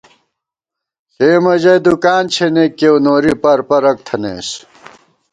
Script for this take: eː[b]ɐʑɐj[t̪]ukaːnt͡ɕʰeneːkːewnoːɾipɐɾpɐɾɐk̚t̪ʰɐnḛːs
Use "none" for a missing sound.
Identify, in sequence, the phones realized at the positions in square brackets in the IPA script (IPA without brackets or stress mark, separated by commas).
m, d̪